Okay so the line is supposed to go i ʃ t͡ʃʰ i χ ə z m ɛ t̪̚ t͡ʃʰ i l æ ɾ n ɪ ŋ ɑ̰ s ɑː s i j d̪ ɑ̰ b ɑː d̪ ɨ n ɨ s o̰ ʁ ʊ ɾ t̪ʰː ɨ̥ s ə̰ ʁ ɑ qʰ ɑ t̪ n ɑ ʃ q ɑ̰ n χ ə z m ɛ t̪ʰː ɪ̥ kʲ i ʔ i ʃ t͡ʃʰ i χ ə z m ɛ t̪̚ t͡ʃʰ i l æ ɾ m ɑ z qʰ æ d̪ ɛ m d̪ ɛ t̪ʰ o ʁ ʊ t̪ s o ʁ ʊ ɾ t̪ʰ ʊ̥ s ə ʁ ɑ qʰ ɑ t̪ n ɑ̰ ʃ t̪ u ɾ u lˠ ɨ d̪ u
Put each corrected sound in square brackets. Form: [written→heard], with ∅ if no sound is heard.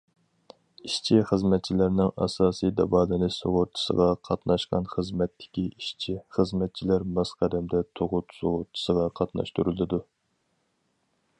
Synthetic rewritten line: i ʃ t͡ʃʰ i χ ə z m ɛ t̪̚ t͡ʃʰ i l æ ɾ n ɪ ŋ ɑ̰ s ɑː s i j d̪ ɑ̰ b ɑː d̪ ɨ n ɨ s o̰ ʁ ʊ ɾ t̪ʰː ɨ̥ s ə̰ ʁ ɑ qʰ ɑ t̪ n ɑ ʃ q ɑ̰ n χ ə z m ɛ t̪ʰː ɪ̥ kʲ i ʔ i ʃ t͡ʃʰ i χ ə z m ɛ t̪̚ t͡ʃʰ i l æ ɾ m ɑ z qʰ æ d̪ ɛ m d̪ ɛ t̪ʰ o ʁ ʊ t̪ s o ʁ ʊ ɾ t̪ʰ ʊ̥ s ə ʁ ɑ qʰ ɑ t̪ n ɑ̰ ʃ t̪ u ɾ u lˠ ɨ d̪ u